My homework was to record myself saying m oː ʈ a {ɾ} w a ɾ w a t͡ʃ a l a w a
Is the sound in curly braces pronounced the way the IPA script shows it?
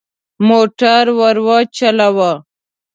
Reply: yes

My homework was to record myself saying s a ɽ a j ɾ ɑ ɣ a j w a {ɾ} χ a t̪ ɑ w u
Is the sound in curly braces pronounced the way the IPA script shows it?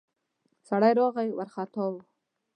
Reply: yes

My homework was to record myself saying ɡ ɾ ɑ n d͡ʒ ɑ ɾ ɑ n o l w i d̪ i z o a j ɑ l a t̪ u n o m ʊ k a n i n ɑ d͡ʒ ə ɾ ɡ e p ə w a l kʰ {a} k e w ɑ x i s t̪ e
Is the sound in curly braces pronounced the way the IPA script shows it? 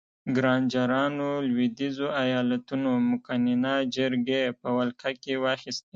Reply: yes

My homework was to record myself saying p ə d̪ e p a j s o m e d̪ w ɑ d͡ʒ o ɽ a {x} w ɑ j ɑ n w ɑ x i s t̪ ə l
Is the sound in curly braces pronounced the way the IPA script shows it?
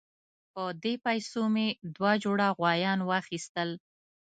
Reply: no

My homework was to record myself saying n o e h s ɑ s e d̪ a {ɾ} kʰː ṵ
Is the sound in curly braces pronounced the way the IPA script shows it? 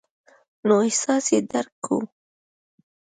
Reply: yes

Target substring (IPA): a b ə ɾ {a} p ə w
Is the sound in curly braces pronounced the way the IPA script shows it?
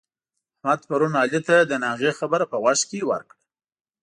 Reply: yes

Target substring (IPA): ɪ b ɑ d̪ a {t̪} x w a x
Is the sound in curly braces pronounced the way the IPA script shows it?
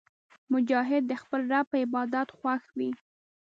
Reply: yes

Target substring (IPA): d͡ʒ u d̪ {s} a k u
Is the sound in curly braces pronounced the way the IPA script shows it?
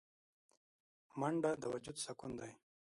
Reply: yes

